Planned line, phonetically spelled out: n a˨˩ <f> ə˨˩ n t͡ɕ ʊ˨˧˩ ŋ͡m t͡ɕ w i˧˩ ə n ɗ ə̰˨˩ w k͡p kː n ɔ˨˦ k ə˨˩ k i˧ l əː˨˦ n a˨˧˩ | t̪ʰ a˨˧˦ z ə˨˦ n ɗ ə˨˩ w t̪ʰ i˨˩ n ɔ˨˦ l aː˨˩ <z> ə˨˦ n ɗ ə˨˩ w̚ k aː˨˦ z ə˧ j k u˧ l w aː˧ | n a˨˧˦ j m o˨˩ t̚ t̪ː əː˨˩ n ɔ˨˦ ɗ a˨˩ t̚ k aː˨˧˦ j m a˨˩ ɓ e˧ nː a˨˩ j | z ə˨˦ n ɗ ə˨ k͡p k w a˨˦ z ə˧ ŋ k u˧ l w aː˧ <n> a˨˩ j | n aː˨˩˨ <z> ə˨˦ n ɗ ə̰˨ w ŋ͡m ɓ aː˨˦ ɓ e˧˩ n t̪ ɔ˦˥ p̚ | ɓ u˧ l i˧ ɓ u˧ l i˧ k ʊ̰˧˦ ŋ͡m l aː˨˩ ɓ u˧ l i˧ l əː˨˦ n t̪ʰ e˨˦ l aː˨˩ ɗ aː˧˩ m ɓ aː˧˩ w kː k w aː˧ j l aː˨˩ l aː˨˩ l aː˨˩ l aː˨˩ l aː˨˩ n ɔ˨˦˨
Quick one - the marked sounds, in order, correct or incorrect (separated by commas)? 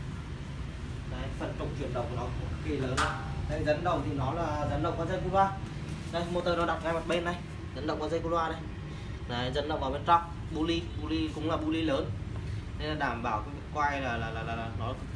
correct, correct, correct, correct